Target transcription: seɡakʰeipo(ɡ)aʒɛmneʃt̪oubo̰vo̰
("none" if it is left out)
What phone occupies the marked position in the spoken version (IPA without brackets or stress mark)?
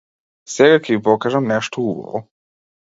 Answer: k